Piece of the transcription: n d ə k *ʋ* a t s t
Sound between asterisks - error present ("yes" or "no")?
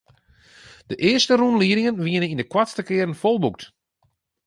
yes